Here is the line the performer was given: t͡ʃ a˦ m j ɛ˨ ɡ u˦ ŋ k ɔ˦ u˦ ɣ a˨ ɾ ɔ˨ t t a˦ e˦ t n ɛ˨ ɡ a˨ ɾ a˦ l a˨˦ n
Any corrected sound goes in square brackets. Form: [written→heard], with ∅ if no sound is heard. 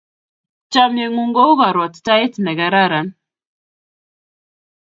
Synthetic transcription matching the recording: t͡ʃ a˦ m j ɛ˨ [ɡ→ŋ] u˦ ŋ [k→ɡ] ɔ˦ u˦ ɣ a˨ ɾ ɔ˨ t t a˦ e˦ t n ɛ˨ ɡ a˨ ɾ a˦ [l→ɾ] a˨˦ n